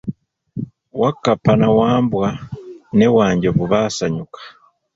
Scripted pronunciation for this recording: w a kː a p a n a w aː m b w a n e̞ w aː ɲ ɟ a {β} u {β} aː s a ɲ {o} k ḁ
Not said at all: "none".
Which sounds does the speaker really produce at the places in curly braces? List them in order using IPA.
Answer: β, β, u

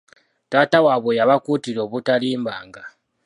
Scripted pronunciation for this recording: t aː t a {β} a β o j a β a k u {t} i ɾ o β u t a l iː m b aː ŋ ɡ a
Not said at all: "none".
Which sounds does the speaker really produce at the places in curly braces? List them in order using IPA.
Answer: w, t

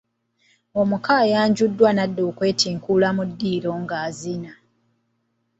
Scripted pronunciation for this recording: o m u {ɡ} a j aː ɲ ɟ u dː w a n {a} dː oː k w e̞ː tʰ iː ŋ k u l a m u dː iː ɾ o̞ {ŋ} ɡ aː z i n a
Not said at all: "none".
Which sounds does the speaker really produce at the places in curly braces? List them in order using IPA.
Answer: k, a, ŋ

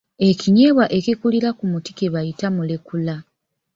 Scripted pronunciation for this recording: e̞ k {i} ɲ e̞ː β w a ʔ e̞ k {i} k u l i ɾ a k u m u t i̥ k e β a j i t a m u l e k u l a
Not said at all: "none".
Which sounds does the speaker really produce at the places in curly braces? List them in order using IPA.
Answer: i, i

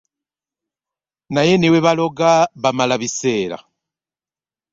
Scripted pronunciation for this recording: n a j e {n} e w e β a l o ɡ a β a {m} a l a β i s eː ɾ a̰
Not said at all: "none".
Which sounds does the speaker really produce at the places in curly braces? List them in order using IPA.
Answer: n, m

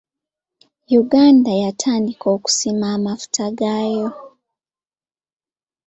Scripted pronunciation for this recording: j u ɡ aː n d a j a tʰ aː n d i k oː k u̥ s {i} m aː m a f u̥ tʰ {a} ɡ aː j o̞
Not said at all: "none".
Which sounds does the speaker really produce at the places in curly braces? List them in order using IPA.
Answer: i, a

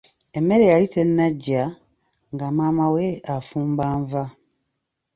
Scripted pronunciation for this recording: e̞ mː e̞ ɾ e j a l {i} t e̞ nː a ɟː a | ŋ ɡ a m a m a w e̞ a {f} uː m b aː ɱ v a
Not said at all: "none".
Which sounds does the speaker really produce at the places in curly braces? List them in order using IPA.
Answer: i, f

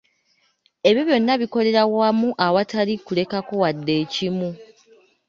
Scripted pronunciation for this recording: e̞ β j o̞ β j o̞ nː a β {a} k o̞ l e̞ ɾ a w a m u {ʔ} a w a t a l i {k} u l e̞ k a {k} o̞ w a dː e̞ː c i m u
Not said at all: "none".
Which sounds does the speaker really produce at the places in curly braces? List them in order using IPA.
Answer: i, ʔ, k, k

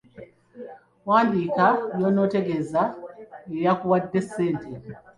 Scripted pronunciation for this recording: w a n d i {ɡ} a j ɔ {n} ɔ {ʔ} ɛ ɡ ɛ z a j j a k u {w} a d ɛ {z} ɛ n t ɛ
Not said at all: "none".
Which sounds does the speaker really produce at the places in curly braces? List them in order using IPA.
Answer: k, n, t, w, s

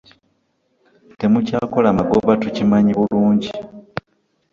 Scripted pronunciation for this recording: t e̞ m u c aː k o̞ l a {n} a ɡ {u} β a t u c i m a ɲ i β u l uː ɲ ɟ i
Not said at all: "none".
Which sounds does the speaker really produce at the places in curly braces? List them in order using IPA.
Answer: m, o

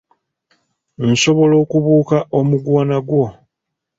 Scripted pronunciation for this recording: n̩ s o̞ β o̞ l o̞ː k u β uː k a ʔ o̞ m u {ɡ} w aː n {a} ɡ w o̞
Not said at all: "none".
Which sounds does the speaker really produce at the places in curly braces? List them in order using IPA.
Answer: ɡ, a

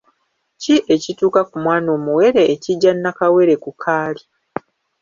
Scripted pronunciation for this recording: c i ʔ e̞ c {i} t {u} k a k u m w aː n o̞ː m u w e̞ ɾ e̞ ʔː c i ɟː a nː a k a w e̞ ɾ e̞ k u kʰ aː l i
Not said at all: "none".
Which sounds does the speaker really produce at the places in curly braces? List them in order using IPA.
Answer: i, uː

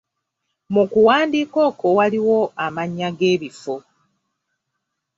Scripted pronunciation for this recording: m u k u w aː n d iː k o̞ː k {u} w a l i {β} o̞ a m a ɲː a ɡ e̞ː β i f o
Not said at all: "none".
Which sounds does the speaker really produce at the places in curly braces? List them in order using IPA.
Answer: o, w

